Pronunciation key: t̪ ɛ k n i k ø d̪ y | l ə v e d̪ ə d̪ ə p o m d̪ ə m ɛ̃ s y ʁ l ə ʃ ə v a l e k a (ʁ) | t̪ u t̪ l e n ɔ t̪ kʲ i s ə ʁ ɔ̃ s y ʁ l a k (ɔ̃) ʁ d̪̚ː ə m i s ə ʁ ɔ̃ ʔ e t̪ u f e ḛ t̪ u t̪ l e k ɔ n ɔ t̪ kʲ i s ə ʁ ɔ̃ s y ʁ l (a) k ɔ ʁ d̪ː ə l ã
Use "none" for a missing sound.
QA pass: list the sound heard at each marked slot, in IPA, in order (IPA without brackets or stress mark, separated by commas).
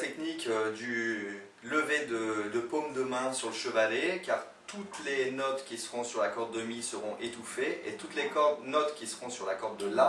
ʁ, ɔ, a